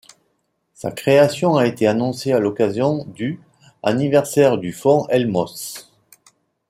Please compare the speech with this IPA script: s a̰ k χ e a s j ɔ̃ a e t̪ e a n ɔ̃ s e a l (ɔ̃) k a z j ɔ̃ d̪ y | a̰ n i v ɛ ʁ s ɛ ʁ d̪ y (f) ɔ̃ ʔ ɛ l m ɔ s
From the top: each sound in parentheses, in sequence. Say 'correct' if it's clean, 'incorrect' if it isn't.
incorrect: ɔ, correct

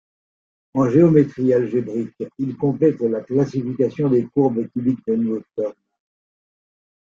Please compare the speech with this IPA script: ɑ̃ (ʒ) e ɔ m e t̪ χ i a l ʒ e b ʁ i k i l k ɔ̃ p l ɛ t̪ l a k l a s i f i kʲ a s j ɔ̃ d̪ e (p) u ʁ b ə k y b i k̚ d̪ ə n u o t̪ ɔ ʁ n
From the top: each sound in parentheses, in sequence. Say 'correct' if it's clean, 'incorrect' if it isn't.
correct, incorrect: k

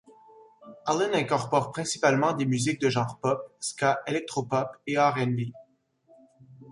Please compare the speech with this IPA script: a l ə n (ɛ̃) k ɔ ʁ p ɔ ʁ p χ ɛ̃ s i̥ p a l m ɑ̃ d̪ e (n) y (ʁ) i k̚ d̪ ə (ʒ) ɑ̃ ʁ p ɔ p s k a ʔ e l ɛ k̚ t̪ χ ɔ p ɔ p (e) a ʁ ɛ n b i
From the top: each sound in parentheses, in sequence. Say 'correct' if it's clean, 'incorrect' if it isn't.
correct, incorrect: m, incorrect: z, correct, correct

